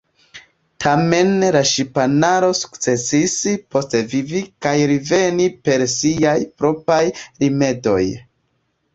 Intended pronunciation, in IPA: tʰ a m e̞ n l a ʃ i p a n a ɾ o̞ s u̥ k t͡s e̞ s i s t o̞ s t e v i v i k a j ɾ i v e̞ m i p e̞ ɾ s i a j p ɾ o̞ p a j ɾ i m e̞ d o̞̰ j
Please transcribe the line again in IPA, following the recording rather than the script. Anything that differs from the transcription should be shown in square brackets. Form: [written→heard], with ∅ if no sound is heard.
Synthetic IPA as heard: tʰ a m e̞ n l a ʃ i p a n a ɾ o̞ s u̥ k t͡s e̞ s i s [t→p] o̞ s t e v i v i k a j ɾ i v e̞ [m→n] i p e̞ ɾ s i a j p ɾ o̞ p a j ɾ i m e̞ d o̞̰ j